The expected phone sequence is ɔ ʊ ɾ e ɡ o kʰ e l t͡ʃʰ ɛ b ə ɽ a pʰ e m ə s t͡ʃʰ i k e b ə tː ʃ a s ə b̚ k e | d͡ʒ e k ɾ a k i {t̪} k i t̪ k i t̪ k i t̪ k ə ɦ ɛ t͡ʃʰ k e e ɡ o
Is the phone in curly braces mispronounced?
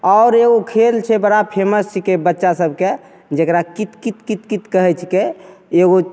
no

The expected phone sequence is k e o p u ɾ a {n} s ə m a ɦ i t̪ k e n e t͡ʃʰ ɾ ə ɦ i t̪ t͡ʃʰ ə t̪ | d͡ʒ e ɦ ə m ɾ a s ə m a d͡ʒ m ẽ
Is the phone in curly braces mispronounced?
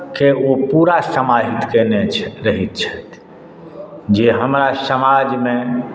yes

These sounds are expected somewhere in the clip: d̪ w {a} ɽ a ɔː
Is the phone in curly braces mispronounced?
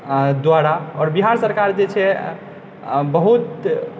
no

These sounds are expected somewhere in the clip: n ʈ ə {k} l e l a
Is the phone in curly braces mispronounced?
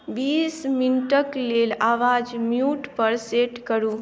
no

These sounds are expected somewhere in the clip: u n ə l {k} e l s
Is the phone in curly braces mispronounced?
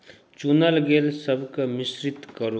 yes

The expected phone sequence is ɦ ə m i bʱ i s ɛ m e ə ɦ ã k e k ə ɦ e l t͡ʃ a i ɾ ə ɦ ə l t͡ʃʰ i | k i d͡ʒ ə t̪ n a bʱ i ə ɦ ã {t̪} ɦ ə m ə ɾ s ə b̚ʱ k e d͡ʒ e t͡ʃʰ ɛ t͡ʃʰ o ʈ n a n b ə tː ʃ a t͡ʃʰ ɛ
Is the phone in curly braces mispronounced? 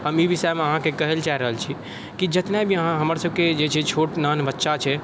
yes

